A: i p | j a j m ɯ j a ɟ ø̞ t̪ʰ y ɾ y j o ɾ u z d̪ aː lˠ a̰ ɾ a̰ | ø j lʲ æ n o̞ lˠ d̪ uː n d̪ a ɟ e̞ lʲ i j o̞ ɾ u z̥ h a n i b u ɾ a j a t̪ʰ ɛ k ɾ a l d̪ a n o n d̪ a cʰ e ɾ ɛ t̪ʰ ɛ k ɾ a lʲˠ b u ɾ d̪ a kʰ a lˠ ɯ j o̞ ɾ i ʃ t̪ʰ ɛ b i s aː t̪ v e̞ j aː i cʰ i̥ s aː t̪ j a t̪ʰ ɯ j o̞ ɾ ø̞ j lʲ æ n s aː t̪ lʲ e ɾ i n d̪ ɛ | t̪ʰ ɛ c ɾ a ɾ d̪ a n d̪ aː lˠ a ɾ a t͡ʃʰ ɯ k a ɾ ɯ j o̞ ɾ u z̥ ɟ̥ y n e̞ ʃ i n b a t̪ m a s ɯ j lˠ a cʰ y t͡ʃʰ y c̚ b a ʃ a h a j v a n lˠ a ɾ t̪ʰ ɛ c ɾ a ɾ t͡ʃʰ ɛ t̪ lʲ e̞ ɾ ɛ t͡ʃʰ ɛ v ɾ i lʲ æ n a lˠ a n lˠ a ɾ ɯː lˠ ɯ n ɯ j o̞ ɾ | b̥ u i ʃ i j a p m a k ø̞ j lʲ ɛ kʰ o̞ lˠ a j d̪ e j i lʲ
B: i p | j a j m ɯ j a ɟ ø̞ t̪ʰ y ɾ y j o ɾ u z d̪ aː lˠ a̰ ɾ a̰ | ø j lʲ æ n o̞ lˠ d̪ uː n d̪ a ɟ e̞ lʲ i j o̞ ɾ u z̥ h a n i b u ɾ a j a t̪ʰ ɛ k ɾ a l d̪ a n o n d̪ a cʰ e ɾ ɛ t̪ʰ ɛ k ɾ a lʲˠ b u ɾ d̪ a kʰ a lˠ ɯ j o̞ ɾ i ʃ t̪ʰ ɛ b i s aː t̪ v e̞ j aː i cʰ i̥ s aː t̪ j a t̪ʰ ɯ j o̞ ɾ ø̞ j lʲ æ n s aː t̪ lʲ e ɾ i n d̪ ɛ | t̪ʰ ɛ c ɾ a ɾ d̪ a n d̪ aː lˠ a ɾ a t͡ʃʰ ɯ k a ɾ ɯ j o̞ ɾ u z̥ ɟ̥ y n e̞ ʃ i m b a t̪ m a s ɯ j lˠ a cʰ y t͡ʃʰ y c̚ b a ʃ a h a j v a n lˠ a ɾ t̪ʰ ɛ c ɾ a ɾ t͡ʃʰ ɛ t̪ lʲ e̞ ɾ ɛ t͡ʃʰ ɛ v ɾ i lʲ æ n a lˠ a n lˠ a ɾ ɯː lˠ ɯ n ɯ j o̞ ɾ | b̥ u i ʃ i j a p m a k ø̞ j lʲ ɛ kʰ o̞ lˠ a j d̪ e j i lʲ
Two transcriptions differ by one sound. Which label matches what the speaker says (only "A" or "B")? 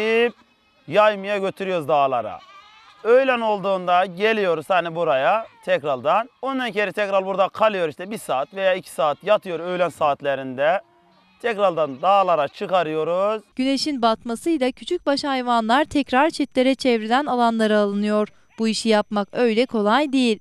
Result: A